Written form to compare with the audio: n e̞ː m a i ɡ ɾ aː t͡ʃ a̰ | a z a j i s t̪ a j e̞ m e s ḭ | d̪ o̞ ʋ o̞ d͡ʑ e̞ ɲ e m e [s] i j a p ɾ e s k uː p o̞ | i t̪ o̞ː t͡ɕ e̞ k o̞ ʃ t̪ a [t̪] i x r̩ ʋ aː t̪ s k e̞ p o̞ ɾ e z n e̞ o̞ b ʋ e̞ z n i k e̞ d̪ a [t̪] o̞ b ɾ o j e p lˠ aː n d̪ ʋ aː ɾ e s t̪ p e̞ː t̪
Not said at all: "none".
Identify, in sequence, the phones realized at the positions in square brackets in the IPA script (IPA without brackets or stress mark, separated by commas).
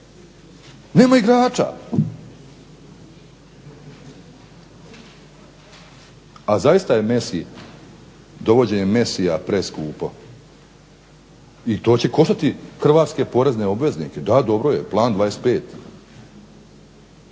s, t̪, d̪